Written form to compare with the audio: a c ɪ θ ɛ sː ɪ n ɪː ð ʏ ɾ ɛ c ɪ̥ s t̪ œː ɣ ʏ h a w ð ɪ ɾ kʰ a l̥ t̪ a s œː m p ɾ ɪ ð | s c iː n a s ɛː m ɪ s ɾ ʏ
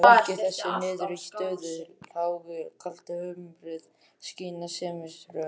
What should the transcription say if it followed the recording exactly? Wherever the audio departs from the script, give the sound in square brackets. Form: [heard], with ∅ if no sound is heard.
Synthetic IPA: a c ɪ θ ɛ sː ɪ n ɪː ð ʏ ɾ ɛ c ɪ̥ s t̪ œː [ð] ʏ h a w [ɣ] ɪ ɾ kʰ a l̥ t̪ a [h] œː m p ɾ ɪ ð | s c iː n a s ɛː m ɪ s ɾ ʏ